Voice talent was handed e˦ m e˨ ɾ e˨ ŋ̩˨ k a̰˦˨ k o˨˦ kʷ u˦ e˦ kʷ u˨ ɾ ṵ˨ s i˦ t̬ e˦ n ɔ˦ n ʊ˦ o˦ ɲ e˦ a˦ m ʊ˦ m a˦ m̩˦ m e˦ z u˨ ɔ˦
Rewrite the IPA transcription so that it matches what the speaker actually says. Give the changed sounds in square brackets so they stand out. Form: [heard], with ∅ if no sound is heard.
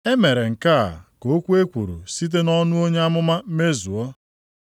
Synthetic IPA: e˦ m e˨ ɾ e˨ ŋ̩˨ k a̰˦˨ k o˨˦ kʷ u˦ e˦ kʷ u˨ ɾ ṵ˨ s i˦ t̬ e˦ n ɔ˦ n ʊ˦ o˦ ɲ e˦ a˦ m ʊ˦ m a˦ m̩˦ m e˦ z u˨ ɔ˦